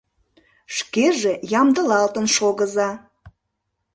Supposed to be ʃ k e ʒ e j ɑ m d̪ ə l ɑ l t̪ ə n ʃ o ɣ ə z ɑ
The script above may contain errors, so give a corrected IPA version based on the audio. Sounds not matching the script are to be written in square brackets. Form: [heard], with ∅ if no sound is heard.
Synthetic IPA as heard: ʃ k e ʒ e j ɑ m d̪ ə l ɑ l t̪ ə n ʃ o ɣ ə z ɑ